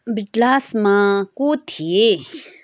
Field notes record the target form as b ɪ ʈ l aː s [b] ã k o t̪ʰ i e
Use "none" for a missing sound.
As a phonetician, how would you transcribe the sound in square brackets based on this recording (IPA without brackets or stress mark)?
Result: m